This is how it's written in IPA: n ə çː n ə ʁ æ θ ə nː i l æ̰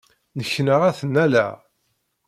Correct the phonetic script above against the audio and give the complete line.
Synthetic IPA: n ə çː n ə ʁ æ θ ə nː æ l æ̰

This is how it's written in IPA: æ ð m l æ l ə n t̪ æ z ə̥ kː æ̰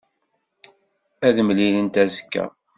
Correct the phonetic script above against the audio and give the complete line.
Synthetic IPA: æ ð m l i l ə n t̪ æ z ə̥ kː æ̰

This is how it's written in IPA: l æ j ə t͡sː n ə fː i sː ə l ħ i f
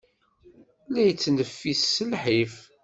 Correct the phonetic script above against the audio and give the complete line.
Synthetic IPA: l æ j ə t͡sː n ə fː i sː ə l ħ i f

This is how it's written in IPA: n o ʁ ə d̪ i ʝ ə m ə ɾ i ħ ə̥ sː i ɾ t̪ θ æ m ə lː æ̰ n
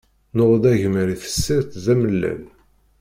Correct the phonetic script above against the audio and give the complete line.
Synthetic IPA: n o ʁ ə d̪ æ ʝ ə m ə ɾ i θ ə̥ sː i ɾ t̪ ð æ m ə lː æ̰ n

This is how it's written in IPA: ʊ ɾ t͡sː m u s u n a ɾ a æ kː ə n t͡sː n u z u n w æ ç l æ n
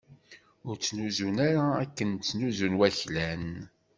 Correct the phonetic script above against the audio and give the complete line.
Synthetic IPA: ʊ ɾ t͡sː n u z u n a ɾ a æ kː ə n t͡sː n u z u n w æ ç l æ n

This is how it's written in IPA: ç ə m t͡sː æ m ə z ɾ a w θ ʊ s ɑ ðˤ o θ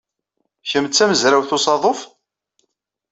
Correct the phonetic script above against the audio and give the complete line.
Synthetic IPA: ç ə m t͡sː æ m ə z ɾ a w θ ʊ s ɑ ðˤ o f

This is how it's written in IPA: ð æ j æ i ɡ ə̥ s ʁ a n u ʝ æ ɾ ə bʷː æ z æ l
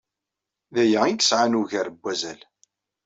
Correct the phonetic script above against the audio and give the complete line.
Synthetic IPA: ð æ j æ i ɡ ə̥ s ʕ a n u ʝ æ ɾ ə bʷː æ z æ l

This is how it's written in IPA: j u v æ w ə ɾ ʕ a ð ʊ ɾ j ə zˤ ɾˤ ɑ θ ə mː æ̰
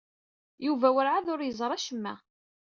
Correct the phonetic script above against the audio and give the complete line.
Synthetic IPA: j u v æ w ə ɾ ʕ a ð ʊ ɾ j ə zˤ ɾˤ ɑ ʃ ə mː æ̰

